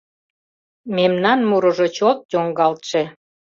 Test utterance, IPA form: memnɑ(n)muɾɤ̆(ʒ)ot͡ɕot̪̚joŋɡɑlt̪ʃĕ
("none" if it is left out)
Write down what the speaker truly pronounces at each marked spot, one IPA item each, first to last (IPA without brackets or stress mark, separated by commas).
n, ʒ